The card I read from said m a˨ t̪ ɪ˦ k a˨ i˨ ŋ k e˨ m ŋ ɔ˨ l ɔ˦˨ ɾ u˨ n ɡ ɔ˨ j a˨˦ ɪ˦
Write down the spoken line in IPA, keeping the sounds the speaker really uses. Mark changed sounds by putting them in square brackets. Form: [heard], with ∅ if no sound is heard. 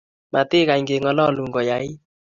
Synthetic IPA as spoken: m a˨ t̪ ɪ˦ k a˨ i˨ ŋ [ɡ] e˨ [∅] ŋ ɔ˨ l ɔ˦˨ [l] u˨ [ŋ] ɡ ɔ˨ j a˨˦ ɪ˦